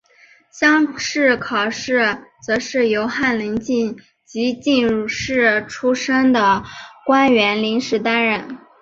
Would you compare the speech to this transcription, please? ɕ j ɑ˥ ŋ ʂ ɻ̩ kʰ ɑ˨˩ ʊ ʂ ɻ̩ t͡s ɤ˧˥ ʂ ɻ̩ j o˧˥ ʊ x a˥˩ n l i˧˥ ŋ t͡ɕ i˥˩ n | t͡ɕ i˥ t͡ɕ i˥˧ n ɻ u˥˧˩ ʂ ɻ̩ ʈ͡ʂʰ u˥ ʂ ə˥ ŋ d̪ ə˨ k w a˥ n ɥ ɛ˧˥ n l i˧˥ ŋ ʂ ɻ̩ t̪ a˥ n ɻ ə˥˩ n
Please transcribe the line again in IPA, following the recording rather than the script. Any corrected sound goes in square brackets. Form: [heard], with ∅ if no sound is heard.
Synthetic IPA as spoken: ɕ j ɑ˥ ŋ ʂ ɻ̩ kʰ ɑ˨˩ ʊ ʂ ɻ̩ t͡s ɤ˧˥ ʂ ɻ̩ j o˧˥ ʊ x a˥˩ n l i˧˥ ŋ t͡ɕ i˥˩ n | t͡ɕ [i˧˥] t͡ɕ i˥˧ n ɻ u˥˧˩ ʂ ɻ̩ ʈ͡ʂʰ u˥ ʂ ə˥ ŋ d̪ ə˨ k w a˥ n ɥ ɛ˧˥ n l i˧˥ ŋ ʂ ɻ̩ t̪ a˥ n ɻ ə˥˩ n

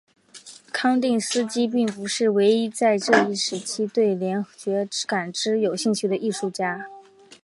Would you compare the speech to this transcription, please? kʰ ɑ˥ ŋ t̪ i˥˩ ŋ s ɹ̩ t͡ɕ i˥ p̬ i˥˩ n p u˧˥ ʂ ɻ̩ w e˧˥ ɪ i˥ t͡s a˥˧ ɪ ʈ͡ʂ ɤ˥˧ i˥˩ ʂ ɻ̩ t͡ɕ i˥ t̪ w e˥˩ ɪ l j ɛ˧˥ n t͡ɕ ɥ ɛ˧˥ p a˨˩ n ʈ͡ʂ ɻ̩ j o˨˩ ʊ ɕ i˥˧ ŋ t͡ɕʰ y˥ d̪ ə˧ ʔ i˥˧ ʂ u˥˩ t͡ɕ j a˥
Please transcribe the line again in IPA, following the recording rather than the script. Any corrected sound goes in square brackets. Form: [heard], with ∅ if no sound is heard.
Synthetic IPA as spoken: kʰ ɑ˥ ŋ t̪ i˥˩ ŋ s ɹ̩ t͡ɕ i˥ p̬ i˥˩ [ŋ] p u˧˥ ʂ ɻ̩ w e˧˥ ɪ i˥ t͡s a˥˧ ɪ ʈ͡ʂ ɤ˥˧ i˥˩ ʂ ɻ̩ [t͡ɕʰ] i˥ t̪ w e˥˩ ɪ l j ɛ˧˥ n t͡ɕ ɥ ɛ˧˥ [k] a˨˩ n ʈ͡ʂ ɻ̩ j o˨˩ ʊ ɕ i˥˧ ŋ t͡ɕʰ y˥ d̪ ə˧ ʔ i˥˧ ʂ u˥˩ t͡ɕ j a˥

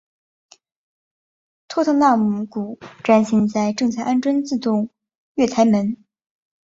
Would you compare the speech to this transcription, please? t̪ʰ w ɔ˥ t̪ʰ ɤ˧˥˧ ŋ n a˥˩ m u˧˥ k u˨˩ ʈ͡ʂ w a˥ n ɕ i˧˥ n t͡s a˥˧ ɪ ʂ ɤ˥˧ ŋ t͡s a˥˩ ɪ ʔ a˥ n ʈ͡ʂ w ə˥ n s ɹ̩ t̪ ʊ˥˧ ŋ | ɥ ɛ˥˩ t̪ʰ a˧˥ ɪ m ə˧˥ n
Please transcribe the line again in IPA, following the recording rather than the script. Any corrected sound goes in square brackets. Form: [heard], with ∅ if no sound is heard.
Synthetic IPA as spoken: t̪ʰ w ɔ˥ t̪ʰ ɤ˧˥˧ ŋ n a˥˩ m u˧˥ k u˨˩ ʈ͡ʂ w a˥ n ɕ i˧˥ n t͡s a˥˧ ɪ [ʈ͡ʂ] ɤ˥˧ ŋ [t͡sʰ] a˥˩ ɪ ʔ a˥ n ʈ͡ʂ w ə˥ n [t͡s] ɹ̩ t̪ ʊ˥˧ ŋ | ɥ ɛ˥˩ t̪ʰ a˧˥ ɪ m ə˧˥ n

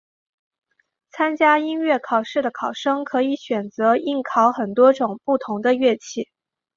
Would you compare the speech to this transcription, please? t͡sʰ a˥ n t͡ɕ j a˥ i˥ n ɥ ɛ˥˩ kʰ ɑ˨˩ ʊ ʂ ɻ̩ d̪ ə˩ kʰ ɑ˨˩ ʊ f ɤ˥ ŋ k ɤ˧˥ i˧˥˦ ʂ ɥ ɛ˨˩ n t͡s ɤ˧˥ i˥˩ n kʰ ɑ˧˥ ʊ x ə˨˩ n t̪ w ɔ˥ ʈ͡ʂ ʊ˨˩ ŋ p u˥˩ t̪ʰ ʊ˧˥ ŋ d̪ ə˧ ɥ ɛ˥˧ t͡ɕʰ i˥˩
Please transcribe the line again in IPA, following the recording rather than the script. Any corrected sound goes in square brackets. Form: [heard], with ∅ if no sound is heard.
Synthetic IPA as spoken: t͡sʰ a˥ n t͡ɕ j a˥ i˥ n ɥ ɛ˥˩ kʰ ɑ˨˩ ʊ ʂ ɻ̩ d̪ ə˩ kʰ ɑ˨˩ ʊ [ʂ] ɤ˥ ŋ [kʰ] ɤ˧˥ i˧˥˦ [ɕ] ɥ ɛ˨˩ n t͡s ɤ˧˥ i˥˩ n kʰ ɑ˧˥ ʊ x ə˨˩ n t̪ w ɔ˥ ʈ͡ʂ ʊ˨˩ ŋ p u˥˩ t̪ʰ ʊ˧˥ ŋ d̪ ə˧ ɥ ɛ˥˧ t͡ɕʰ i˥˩

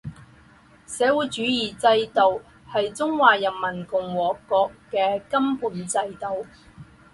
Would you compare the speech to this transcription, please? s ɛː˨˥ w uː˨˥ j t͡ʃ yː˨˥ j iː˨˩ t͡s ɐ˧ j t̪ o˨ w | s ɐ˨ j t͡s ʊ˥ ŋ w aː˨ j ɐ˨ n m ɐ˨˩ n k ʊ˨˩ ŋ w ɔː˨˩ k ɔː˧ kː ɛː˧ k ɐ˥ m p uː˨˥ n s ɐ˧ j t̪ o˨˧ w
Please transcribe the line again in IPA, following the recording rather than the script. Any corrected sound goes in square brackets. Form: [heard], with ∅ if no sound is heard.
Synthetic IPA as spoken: s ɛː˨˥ w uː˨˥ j t͡ʃ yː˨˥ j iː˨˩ t͡s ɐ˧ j t̪ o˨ w | [h] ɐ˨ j t͡s ʊ˥ ŋ w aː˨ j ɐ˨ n m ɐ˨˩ n k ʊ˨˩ ŋ w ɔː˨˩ k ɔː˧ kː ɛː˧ k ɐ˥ m p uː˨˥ n [t͡s] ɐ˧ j t̪ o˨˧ w

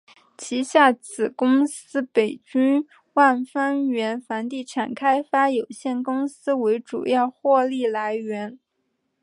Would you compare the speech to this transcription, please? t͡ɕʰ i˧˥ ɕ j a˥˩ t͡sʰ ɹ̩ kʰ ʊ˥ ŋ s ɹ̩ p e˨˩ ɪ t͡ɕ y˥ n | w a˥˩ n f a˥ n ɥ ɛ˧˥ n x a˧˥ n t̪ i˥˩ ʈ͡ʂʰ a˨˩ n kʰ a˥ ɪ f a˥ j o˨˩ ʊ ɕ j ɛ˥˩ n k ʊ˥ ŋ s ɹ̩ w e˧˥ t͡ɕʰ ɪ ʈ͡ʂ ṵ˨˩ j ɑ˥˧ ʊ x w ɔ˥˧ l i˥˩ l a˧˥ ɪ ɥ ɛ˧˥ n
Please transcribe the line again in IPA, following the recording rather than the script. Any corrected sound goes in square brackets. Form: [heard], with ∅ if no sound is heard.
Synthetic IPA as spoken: t͡ɕʰ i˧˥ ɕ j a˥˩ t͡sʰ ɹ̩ [k] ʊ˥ ŋ s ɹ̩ p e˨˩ ɪ t͡ɕ y˥ n | w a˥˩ n f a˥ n ɥ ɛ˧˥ n [f] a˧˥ n t̪ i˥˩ ʈ͡ʂʰ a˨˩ n kʰ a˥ ɪ f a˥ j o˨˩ ʊ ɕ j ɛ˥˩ n k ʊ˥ ŋ s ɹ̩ w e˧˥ [∅] ɪ ʈ͡ʂ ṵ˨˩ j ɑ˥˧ ʊ x w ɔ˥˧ l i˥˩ l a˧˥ ɪ ɥ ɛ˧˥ n

